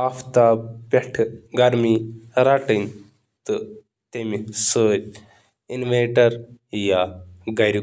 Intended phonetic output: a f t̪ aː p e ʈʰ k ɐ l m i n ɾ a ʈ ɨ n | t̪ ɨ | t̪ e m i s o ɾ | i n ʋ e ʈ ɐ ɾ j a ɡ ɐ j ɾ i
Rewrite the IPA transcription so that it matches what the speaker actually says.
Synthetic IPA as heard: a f t̪ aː p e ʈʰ ɡ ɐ ɾ m i ɾ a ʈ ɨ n | t̪ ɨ | t̪ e m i s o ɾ | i n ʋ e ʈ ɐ ɾ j a ɡ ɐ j ɾ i